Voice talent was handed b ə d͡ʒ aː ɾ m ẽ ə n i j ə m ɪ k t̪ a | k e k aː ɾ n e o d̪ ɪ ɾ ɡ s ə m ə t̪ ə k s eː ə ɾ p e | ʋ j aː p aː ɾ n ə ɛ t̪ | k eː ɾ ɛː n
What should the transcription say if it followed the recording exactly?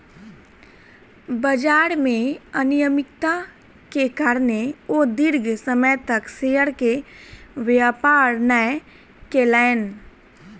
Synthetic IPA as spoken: b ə d͡ʒ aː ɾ m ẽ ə n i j ə m ɪ k t̪ a | k e k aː ɾ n e o d̪ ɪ ɾ ɡ s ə m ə t̪ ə k s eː ə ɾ k e | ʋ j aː p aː ɾ n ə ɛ | k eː l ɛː n